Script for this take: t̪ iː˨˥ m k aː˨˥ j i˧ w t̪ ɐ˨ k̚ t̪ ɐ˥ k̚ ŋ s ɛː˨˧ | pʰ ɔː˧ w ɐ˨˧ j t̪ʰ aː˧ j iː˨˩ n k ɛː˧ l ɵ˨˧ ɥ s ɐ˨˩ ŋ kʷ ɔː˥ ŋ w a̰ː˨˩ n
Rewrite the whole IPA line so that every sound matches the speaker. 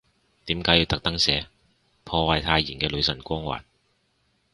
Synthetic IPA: t̪ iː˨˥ m k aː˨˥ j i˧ w t̪ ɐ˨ k̚ t̪ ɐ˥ ŋ s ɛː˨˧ | pʰ ɔː˧ w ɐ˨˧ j t̪ʰ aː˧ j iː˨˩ n k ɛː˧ l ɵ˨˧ ɥ s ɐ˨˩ n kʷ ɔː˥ ŋ w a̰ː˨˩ n